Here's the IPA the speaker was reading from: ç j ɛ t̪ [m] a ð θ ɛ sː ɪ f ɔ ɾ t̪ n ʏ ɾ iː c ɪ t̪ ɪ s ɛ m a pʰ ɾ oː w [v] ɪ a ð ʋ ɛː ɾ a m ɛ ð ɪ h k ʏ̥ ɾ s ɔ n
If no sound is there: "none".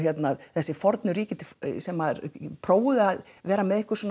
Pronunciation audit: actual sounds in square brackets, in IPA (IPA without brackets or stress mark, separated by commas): n, ð